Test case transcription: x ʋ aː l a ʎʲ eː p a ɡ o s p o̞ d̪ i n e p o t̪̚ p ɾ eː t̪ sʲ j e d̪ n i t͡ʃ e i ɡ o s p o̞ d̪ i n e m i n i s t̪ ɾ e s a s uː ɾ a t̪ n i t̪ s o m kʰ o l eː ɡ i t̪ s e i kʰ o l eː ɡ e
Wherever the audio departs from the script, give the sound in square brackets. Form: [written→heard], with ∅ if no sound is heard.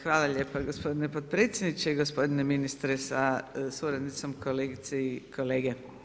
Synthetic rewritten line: x ʋ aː l a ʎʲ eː p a ɡ o s p o̞ d̪ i n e p o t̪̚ p ɾ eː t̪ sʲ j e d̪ n i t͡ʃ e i ɡ o s p o̞ d̪ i n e m i n i s t̪ ɾ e s a s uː ɾ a [t̪→d̪] n i t̪ s o m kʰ o l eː ɡ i t̪ s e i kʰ o l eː ɡ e